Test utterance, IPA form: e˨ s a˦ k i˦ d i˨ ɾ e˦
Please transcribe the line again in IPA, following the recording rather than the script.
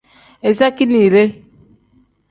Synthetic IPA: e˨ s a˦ k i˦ n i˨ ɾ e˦